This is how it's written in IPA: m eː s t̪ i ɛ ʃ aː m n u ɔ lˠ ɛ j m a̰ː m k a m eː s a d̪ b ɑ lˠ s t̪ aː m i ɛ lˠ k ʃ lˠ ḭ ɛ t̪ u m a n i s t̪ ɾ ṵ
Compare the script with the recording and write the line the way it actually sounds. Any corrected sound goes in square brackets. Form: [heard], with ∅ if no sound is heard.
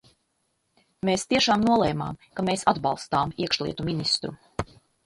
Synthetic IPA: m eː s t̪ i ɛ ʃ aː m n u ɔ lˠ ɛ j m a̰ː m k a m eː s a d̪ b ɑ lˠ s t̪ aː m i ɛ [∅] k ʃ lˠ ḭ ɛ t̪ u m [i] n i s t̪ ɾ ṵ